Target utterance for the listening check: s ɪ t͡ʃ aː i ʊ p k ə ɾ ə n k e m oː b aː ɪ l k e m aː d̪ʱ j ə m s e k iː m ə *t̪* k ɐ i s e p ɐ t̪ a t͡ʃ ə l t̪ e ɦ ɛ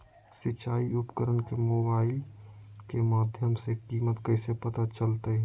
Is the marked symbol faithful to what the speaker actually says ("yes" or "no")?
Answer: yes